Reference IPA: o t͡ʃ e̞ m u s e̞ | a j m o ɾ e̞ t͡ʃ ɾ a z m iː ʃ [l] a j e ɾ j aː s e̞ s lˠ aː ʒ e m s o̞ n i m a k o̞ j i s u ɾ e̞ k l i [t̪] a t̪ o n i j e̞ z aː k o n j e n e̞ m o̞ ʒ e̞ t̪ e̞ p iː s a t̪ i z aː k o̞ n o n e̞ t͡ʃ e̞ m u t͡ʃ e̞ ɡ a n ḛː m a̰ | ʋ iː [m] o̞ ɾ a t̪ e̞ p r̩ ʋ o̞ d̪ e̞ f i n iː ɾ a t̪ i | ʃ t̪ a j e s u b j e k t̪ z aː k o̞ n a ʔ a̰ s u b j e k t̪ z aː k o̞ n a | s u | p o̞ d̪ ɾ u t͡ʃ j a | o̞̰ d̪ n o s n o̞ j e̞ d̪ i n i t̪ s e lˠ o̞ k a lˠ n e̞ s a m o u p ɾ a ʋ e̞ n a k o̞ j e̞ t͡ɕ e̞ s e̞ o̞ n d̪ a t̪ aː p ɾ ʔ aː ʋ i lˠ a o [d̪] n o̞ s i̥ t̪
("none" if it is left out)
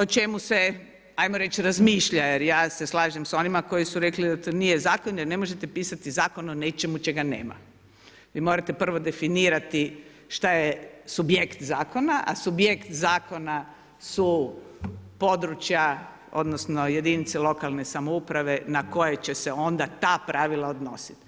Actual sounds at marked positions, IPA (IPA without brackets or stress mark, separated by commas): ʎ, d̪, m, d̪